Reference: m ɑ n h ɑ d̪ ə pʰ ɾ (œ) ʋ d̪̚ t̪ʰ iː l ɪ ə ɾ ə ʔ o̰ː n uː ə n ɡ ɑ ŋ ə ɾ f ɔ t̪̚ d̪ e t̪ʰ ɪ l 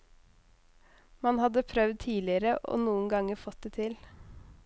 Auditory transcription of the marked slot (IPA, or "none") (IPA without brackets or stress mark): œ